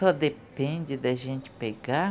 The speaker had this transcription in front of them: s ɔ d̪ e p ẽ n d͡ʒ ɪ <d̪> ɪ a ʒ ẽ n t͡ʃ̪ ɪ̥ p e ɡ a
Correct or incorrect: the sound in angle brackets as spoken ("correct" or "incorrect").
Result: correct